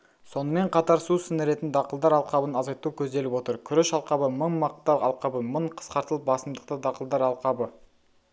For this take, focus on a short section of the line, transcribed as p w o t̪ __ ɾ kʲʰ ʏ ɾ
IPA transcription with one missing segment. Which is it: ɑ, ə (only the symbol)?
ə